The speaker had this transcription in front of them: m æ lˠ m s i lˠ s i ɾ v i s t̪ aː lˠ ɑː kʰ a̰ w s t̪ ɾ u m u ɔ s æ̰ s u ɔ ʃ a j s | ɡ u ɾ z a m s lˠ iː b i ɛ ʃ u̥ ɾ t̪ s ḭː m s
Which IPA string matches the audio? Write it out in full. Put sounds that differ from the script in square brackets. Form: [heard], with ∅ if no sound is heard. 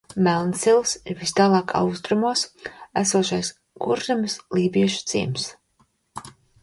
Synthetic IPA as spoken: m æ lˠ [n] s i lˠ s i ɾ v i s t̪ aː lˠ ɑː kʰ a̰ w s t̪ ɾ u m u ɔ s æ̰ s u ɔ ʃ a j s | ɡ u ɾ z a m s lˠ iː b i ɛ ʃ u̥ [∅] t̪ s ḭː m s

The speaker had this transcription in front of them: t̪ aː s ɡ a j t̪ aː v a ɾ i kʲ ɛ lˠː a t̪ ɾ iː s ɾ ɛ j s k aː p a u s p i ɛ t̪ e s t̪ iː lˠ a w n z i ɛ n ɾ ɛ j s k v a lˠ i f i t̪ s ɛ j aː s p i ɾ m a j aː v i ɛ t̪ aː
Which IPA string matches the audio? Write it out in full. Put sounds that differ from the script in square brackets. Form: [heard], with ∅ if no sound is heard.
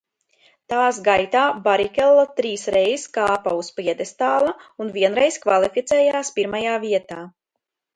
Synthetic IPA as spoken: t̪ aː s ɡ a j t̪ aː [b] a ɾ i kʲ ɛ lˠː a t̪ ɾ iː s ɾ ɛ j s k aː p a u s p i ɛ [d̪] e s t̪ [aː] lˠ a [u] n [v] i ɛ n ɾ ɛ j s k v a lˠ i f i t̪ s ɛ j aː s p i ɾ m a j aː v i ɛ t̪ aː

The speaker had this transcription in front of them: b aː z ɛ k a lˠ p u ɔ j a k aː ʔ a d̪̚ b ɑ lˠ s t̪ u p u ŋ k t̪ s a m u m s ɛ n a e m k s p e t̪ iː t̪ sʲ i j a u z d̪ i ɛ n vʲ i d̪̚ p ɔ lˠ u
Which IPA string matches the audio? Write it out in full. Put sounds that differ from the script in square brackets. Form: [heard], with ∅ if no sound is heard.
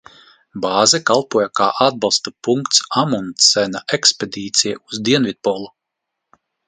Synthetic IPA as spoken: b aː z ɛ k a lˠ p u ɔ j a k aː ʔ a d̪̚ b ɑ lˠ s t̪ u p u ŋ k t̪ s a m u [n] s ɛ n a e [∅] k s p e [d̪] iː t̪ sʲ i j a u z d̪ i ɛ n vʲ i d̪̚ p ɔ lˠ u

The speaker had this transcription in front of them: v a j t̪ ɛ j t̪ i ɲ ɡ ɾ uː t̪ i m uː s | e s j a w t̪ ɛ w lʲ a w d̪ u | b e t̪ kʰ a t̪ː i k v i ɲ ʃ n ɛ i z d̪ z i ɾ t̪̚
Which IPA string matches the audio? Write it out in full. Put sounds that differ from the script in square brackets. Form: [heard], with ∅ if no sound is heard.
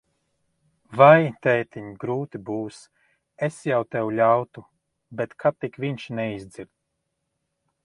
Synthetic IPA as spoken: v a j t̪ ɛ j t̪ i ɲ ɡ ɾ uː t̪ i [b] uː s | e s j a w t̪ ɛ w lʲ a w [t̪] u | b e t̪ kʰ a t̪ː i k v i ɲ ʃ n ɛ i z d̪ z i ɾ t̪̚

